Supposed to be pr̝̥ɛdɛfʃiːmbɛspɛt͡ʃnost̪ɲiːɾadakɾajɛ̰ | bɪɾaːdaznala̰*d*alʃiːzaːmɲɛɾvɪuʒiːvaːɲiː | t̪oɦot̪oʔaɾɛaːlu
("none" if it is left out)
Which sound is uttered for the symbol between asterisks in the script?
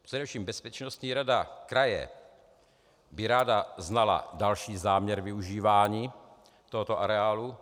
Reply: d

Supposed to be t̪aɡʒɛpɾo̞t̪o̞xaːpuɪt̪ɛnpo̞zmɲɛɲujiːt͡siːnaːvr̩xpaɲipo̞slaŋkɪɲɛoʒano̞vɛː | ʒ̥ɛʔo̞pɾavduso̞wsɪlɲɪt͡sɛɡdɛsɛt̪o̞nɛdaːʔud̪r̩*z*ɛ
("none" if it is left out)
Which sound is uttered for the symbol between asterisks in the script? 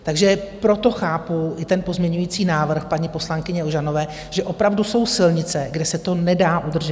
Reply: ʒ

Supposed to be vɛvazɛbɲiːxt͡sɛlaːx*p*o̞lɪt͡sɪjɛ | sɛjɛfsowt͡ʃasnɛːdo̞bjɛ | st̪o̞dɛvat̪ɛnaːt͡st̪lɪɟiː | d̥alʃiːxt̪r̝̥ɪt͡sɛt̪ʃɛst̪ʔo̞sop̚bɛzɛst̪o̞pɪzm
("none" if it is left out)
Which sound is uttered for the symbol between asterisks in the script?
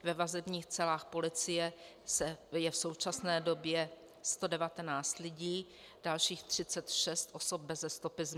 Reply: p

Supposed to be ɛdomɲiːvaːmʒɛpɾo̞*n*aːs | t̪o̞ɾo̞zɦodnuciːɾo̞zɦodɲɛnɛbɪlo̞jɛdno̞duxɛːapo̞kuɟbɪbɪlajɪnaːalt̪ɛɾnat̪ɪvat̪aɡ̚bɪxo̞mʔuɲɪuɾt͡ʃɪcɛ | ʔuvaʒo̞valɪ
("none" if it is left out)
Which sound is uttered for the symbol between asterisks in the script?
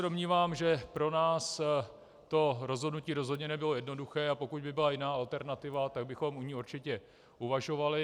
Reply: n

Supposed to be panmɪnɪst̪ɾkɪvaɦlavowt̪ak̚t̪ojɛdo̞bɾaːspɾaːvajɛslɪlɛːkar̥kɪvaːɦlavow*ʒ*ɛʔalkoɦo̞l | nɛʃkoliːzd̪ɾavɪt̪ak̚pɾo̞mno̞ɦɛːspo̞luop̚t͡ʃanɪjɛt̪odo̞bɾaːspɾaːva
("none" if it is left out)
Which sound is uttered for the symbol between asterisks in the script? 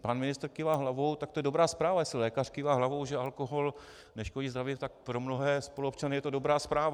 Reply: ʒ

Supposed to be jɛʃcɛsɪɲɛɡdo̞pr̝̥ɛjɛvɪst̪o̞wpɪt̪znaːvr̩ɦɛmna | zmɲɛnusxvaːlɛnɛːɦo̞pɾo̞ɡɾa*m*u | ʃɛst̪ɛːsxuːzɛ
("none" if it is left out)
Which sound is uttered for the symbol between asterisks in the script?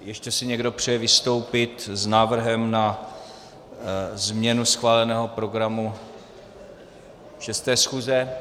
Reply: m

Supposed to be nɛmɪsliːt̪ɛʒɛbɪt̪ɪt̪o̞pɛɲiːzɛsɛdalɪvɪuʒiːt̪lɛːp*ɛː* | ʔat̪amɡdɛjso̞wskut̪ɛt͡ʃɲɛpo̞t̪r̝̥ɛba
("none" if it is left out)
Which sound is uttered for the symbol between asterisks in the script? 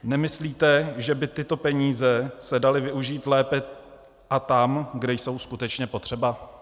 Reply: ɛ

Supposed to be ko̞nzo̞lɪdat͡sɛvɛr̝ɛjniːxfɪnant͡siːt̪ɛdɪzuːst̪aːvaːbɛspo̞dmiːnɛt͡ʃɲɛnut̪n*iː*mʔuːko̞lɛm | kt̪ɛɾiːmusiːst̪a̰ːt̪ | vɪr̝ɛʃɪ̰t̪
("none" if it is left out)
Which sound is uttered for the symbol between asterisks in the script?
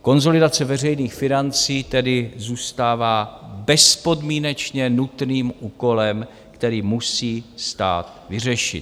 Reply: iː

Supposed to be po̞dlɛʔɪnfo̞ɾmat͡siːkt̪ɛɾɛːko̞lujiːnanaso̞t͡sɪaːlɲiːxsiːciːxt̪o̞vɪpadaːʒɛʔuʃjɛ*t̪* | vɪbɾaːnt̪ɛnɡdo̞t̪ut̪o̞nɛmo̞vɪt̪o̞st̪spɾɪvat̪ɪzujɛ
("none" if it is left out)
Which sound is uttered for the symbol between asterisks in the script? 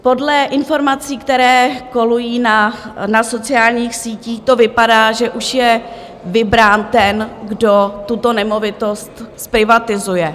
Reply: none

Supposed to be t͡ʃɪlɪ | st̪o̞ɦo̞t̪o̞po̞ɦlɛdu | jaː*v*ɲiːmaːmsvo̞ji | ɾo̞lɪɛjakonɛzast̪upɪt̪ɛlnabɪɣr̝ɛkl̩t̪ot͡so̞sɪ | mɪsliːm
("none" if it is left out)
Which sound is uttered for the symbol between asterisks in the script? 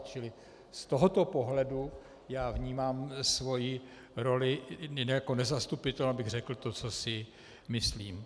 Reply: v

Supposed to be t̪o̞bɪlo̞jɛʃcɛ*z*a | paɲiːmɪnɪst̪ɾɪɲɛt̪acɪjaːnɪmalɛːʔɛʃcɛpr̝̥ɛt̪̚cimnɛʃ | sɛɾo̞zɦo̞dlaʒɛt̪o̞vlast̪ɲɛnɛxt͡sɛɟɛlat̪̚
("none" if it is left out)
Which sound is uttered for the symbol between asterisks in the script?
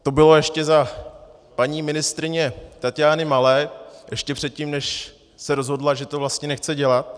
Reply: z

